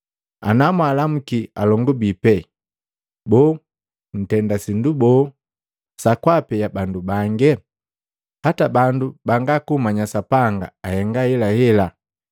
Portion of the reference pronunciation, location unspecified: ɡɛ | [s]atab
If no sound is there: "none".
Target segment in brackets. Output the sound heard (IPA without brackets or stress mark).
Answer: h